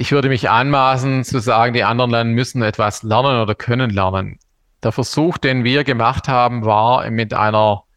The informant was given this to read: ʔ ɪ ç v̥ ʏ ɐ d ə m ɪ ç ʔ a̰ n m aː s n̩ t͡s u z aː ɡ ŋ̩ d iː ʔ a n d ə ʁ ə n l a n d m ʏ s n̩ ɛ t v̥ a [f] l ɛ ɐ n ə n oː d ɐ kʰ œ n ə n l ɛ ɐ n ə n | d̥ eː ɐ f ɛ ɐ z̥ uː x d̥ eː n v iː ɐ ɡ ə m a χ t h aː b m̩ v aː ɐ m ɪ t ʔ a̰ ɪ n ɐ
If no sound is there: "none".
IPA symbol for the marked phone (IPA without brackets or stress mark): s